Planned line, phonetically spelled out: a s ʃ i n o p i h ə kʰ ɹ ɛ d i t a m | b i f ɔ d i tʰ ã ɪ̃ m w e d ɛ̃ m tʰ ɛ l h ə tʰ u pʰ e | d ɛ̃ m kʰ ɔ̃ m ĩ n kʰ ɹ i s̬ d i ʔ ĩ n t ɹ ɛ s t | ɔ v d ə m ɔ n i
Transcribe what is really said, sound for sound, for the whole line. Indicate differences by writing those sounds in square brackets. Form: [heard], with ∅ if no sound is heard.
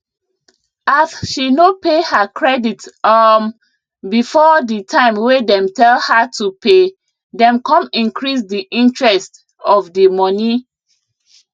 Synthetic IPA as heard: a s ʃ i n o p [e] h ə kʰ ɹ ɛ d i t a m | b i f ɔ d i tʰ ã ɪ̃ m w e d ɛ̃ m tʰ ɛ l h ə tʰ u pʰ e | d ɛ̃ m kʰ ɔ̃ m ĩ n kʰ ɹ i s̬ d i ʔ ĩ n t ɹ ɛ s t | ɔ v d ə m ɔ n i